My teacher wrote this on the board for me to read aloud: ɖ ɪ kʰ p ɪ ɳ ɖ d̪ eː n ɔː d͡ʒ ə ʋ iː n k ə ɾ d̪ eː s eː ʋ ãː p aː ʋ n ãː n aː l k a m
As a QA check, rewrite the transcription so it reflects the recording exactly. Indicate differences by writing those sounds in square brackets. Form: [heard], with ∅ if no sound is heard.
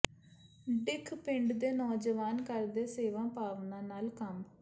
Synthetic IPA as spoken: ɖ ɪ kʰ p ɪ ɳ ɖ d̪ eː n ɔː d͡ʒ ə ʋ [aː] n k ə ɾ d̪ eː s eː ʋ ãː p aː ʋ n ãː n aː l k [ə] m

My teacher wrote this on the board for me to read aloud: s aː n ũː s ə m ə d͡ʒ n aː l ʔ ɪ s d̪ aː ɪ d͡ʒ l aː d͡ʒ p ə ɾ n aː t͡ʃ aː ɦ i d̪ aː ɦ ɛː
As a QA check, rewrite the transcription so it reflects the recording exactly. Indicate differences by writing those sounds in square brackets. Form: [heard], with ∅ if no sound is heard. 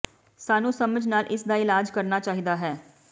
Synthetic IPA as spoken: s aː n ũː s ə m ə d͡ʒ n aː l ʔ ɪ s d̪ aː ɪ [∅] l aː d͡ʒ [k] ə ɾ n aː t͡ʃ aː ɦ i d̪ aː ɦ ɛː

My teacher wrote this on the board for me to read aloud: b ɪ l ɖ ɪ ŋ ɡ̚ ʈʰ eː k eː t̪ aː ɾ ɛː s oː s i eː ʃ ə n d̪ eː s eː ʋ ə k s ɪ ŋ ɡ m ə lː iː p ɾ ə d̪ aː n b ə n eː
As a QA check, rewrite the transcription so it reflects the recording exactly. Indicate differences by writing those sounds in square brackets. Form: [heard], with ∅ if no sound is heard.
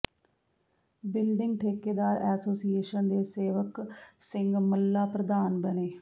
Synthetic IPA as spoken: b ɪ l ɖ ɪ ŋ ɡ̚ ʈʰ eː k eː [d̪] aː ɾ ɛː s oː s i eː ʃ ə n d̪ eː s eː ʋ ə k s ɪ ŋ ɡ m ə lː [aː] p ɾ ə d̪ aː n b ə n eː

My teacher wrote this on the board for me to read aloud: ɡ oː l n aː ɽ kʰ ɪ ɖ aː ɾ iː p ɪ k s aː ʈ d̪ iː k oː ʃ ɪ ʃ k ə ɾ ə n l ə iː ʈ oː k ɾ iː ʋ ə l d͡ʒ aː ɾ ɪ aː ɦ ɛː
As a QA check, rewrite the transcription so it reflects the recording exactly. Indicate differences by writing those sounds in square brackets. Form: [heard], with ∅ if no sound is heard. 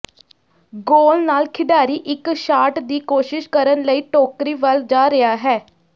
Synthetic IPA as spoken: ɡ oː l n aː [l] kʰ ɪ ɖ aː ɾ iː [ʔ] ɪ k [ʃ] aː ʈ d̪ iː k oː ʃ ɪ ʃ k ə ɾ ə n l ə iː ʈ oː k ɾ iː ʋ ə l d͡ʒ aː ɾ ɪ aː ɦ ɛː

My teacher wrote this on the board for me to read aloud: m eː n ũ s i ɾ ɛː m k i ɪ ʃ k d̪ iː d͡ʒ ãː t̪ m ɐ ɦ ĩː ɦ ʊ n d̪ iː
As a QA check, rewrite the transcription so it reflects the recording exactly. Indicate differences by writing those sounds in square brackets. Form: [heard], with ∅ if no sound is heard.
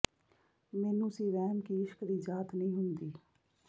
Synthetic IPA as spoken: m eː n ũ s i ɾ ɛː m k i ɪ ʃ k d̪ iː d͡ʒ [aː] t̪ [n] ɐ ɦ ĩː ɦ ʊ n d̪ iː

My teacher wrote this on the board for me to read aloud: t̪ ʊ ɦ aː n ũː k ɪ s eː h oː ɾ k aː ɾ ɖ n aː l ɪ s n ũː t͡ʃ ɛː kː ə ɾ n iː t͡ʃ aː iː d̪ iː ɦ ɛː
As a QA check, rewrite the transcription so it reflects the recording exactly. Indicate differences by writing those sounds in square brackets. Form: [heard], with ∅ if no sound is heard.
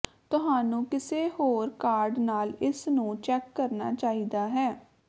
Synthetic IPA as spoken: t̪ ʊ ɦ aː n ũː k ɪ s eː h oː ɾ k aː ɾ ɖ n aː l ɪ s n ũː t͡ʃ ɛː kː ə ɾ n [aː] t͡ʃ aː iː d̪ [aː] ɦ ɛː

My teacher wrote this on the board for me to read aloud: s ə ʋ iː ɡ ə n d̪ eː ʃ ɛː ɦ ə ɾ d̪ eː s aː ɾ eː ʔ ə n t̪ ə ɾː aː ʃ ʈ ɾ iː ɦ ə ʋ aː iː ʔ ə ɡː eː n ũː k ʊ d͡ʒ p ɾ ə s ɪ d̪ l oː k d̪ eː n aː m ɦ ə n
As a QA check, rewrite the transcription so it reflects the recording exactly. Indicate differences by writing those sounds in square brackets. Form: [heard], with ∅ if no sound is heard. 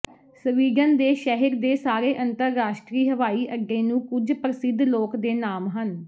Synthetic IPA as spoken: s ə ʋ iː ɡ ə n d̪ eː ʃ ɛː ɦ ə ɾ d̪ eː s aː ɾ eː ʔ ə n t̪ ə ɾː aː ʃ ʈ ɾ iː ɦ ə ʋ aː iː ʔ ə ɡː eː n ũː k ʊ d͡ʒ p ɾ ə s ɪ d̪ l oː k d̪ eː n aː m ɦ ə n

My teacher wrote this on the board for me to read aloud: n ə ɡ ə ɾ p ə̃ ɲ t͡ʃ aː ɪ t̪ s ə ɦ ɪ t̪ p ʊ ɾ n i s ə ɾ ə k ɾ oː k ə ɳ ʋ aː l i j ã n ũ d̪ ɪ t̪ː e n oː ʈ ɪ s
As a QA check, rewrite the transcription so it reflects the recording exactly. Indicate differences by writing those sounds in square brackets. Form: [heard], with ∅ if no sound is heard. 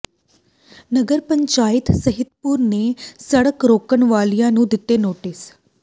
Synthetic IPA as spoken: n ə ɡ ə ɾ p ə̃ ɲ t͡ʃ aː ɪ t̪ s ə ɦ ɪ t̪ p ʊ ɾ n [e] s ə [ɽ] ə k ɾ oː k ə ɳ ʋ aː l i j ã n ũ d̪ ɪ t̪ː e n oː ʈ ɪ s

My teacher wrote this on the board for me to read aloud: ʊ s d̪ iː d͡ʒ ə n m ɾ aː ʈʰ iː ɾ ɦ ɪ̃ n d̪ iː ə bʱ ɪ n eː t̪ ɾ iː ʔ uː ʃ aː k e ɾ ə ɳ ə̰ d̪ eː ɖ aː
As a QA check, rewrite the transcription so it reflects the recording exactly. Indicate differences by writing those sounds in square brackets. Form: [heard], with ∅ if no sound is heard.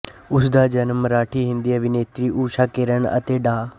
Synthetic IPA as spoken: ʊ s d̪ [aː] d͡ʒ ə n m ɾ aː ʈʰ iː [∅] ɦ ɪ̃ n d̪ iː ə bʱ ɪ n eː t̪ ɾ iː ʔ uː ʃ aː k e ɾ ə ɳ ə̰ [t̪] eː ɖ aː

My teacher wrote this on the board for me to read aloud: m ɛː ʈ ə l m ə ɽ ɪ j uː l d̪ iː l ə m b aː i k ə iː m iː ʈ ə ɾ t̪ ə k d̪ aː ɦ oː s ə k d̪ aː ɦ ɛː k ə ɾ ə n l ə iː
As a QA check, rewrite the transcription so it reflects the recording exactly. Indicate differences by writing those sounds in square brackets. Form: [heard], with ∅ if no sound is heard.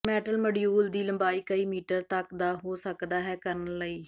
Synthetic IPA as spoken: m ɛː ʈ ə l m ə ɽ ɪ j uː l d̪ iː l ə m b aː [iː] k ə iː m iː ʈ ə ɾ t̪ ə k d̪ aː ɦ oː s ə k d̪ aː ɦ ɛː k ə ɾ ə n l ə iː

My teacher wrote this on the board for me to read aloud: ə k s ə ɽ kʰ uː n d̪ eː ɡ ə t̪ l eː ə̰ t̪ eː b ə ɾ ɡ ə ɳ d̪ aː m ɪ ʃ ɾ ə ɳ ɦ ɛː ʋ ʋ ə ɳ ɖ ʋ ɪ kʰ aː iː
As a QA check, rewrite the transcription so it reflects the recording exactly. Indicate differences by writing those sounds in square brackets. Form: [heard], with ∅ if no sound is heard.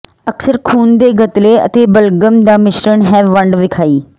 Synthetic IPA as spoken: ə k s ə [ɾ] kʰ uː n d̪ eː ɡ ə t̪ l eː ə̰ t̪ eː b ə [l] ɡ ə [m] d̪ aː m ɪ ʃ ɾ ə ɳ ɦ ɛː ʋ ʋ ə ɳ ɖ ʋ ɪ kʰ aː iː

